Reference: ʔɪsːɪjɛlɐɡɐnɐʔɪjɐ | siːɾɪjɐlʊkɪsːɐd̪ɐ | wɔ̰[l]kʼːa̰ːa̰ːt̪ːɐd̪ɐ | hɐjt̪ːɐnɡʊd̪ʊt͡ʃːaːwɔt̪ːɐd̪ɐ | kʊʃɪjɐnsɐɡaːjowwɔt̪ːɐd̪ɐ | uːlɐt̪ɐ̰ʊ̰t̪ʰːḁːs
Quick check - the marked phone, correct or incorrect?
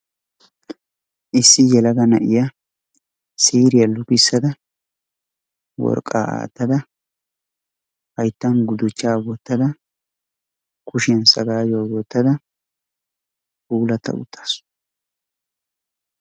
incorrect